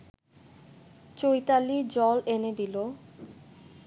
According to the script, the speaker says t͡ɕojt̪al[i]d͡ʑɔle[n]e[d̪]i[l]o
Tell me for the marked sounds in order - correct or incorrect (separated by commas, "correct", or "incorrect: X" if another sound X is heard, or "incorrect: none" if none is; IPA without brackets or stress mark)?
correct, correct, correct, correct